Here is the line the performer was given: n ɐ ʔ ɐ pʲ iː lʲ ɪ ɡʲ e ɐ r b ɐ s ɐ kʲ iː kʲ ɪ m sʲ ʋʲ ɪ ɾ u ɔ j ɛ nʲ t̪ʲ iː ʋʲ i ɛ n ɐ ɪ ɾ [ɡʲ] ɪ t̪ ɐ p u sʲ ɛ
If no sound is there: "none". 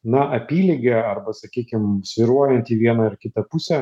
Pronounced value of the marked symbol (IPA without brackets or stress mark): kʲ